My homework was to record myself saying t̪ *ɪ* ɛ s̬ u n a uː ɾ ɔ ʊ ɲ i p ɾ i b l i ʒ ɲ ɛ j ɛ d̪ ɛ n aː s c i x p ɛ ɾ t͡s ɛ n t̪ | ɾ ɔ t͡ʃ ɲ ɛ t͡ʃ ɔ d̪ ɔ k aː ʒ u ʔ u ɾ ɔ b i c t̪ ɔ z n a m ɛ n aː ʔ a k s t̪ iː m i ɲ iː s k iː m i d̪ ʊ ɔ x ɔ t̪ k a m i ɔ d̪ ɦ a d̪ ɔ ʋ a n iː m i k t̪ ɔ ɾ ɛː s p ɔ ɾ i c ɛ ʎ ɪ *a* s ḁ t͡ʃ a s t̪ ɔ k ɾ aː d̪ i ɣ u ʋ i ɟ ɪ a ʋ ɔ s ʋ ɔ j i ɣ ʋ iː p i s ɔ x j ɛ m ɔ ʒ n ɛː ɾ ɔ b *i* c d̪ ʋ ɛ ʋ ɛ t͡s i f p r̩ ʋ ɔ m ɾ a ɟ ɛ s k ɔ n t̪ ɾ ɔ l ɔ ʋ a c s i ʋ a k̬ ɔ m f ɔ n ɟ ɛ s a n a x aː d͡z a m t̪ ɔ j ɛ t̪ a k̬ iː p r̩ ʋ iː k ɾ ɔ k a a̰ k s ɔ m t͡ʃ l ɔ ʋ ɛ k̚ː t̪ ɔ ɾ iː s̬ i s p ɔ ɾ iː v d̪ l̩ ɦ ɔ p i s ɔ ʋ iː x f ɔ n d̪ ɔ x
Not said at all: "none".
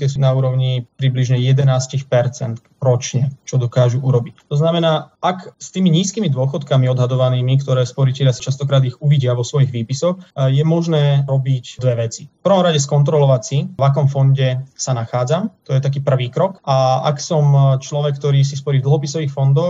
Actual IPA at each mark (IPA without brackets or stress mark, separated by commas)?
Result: ɪ, a, i